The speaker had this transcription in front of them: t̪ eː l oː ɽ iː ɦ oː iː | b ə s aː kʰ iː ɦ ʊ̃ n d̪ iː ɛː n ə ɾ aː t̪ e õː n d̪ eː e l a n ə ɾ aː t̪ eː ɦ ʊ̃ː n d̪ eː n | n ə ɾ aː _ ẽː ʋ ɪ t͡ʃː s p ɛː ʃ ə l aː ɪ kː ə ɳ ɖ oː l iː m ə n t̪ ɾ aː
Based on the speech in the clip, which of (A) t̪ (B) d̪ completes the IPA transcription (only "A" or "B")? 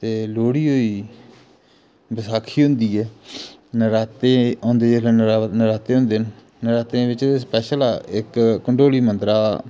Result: A